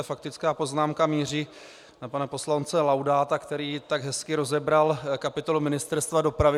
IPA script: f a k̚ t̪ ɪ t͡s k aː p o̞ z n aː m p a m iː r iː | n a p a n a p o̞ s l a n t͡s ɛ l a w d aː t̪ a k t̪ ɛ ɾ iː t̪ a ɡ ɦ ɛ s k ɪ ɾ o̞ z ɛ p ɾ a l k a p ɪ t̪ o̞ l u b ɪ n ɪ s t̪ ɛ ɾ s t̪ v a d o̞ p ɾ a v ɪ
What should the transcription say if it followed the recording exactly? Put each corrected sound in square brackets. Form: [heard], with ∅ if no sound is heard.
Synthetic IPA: f a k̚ t̪ ɪ t͡s k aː p o̞ z n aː m [k] a m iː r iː | n a p a n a p o̞ s l a n t͡s ɛ l a w d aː t̪ a k t̪ ɛ ɾ iː t̪ a ɡ ɦ ɛ s k ɪ ɾ o̞ z ɛ [b] ɾ a l k a p ɪ t̪ o̞ l u [m] ɪ n ɪ s t̪ ɛ ɾ s t̪ v a d o̞ p ɾ a v ɪ